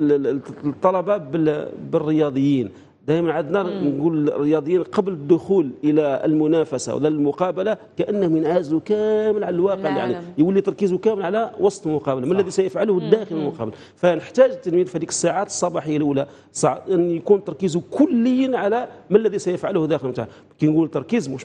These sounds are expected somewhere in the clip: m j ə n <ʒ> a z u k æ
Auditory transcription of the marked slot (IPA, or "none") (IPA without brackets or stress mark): ʕ